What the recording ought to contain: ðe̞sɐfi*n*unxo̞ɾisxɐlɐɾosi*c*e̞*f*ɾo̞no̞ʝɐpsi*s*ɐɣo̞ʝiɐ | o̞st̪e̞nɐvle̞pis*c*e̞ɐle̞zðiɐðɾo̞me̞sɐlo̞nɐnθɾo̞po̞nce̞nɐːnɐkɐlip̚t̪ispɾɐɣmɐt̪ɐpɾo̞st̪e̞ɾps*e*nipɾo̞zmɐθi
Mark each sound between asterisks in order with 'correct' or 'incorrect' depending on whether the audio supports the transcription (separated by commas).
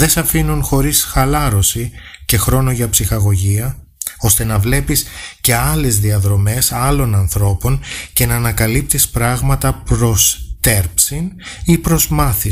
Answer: correct, correct, incorrect, incorrect, correct, incorrect